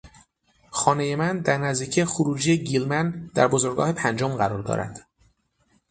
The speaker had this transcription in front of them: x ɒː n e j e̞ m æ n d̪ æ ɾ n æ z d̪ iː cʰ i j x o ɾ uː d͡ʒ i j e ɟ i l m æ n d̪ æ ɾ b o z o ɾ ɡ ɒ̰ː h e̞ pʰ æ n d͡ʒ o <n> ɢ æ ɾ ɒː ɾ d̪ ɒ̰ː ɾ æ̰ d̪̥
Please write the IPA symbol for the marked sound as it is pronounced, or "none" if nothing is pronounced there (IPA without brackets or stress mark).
m